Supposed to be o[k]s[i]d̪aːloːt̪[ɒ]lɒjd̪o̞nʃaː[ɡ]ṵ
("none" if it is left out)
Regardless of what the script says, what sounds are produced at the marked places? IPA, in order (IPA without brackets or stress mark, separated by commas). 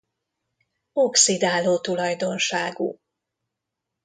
k, i, u, ɡ